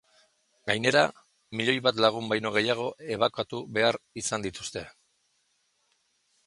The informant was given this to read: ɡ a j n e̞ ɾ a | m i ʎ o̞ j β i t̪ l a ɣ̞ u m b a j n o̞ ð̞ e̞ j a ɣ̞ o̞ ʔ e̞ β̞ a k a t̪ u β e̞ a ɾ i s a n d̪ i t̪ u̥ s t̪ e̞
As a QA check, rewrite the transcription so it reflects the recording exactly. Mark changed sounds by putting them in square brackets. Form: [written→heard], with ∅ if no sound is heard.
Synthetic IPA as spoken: ɡ a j n e̞ ɾ a | m i ʎ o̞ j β [i→a] t̪ l a ɣ̞ u m b a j n o̞ [ð̞→ɣ̞] e̞ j a ɣ̞ o̞ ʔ e̞ β̞ a k a t̪ u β e̞ a ɾ i s a n d̪ i t̪ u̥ s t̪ e̞